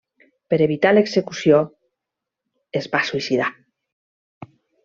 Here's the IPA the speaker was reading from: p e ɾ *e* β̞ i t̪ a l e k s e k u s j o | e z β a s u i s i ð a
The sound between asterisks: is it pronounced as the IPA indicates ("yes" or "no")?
yes